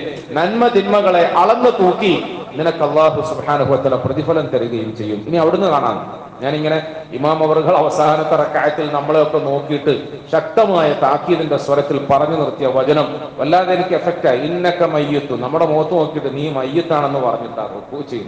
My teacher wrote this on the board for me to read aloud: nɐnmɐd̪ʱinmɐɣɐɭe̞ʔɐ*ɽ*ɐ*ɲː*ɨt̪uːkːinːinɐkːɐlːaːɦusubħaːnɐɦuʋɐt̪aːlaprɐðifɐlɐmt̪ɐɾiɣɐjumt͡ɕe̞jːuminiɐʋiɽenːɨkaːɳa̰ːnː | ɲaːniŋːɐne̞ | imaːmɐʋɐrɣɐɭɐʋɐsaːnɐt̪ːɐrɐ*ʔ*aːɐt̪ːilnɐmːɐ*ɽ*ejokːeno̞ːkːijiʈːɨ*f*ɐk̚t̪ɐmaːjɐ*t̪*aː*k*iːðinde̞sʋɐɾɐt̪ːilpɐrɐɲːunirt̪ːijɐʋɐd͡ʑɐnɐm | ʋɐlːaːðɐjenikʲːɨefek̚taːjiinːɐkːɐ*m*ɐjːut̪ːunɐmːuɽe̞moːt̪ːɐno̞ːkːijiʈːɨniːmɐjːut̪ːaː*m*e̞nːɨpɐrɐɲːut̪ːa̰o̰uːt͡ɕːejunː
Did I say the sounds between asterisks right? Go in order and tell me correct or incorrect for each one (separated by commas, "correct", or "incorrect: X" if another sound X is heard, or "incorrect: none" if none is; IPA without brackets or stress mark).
incorrect: ɭ, incorrect: nː, incorrect: k, incorrect: ɭ, incorrect: ɕ, correct, correct, correct, incorrect: ɳ